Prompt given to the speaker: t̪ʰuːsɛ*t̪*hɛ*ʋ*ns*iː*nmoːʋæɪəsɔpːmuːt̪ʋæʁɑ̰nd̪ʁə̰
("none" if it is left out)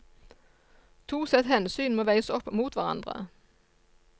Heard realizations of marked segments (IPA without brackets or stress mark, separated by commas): t̪, none, yː